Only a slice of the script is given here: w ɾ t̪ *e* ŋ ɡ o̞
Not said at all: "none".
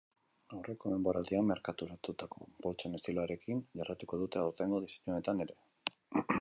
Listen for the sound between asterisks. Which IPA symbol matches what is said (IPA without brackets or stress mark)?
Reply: e